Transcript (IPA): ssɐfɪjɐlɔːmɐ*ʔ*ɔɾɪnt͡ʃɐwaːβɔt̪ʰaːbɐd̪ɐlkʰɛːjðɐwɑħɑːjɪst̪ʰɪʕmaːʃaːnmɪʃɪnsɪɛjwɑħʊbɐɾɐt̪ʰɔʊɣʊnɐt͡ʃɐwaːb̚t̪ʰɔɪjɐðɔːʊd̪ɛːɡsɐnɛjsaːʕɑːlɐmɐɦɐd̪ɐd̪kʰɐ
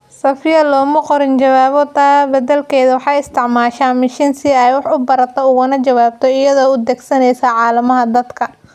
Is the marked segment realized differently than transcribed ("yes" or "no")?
yes